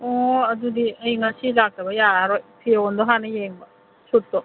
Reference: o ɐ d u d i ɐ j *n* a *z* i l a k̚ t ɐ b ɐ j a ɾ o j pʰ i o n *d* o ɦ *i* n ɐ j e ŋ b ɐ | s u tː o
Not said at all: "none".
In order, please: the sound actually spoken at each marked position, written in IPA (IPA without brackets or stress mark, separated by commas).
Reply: ŋ, s, d, a